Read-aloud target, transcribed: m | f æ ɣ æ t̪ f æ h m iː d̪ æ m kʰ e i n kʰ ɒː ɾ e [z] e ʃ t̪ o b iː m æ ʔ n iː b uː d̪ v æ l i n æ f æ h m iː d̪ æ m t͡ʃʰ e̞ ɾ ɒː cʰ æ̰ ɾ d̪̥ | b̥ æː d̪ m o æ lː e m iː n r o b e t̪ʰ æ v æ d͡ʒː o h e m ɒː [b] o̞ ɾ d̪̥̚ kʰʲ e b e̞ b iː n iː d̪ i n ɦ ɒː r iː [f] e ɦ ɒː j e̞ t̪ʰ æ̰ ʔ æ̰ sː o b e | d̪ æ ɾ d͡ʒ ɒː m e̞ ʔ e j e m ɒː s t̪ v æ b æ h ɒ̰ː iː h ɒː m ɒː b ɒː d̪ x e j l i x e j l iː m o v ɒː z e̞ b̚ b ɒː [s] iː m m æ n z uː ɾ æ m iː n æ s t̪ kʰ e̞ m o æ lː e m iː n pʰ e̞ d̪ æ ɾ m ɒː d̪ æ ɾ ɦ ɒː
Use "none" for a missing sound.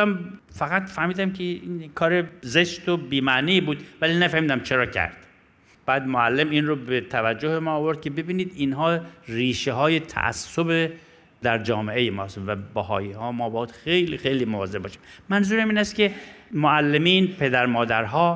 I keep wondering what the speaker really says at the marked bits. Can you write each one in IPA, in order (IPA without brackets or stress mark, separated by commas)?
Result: z, v, ʃ, ʃ